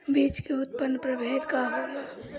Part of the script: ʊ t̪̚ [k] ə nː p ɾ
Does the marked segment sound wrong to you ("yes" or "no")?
yes